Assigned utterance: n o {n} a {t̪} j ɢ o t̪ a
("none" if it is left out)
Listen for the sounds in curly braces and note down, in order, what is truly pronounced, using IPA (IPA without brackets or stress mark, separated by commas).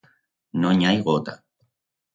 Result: ɲ, none